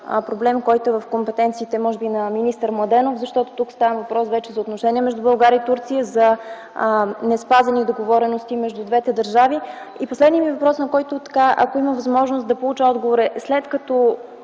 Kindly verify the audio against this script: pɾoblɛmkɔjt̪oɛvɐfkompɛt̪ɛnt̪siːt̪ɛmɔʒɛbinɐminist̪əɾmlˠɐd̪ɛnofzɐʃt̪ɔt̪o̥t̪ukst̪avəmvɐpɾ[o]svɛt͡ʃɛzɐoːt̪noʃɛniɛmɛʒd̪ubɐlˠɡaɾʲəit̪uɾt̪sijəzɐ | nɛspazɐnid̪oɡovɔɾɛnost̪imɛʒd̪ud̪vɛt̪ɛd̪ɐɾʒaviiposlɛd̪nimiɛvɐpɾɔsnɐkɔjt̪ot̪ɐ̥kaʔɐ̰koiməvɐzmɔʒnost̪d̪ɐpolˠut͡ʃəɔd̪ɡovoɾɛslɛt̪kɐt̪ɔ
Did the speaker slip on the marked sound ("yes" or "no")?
yes